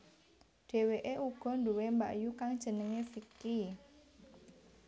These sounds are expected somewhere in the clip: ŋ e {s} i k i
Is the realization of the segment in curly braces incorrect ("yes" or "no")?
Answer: yes